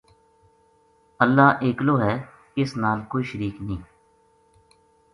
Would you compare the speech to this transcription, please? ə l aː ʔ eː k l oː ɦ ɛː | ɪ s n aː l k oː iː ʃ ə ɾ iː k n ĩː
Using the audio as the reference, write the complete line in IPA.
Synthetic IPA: ə lː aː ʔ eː k l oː ɦ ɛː | ɪ s n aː l k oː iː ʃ ə ɾ iː k n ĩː